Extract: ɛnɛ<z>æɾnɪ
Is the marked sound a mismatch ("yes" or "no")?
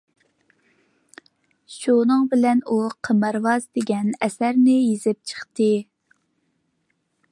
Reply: yes